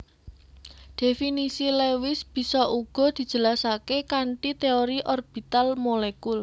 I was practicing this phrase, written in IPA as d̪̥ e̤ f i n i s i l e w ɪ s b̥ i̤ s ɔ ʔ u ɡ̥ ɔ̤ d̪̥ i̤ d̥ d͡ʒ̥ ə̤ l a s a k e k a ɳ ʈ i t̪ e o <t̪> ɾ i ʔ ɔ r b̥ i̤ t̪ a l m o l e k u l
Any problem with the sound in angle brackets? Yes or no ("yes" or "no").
yes